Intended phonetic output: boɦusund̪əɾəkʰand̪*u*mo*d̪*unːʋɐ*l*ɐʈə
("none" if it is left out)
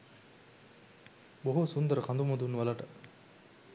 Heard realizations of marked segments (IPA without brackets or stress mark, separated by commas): u, d̪, l